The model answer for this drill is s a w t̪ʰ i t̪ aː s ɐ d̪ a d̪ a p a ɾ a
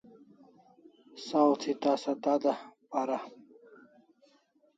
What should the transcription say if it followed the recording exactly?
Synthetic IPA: s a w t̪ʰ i t̪ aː s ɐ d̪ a d̪ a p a ɾ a